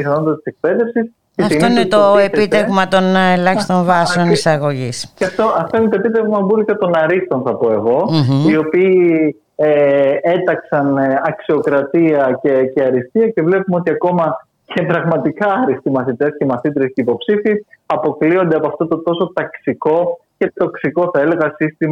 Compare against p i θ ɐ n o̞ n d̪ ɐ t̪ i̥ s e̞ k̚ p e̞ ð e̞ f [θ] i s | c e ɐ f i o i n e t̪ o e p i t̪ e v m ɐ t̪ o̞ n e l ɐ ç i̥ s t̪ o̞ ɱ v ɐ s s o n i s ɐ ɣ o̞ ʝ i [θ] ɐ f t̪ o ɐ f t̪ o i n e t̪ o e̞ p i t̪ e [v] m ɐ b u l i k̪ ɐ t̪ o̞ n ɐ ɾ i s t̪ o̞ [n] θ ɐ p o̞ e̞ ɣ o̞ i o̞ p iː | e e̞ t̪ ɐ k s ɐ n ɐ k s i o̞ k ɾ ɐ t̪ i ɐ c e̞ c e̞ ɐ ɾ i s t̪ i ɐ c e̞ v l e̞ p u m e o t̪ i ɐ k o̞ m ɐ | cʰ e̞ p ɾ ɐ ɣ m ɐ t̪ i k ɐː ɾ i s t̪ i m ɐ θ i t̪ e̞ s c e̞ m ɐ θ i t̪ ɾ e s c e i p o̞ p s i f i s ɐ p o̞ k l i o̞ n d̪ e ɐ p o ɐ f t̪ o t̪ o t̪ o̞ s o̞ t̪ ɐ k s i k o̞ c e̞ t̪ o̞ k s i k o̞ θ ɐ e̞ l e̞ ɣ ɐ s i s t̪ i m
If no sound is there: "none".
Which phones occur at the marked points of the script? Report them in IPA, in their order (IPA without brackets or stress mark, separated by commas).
s, s, v, n